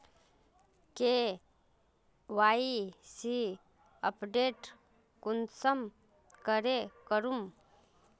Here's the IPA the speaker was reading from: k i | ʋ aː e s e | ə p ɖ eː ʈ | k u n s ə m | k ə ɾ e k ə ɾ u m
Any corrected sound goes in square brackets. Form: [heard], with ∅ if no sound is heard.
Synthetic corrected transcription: k [e] | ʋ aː [i] s [i] | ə p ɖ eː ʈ | k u n s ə m | k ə ɾ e k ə ɾ u m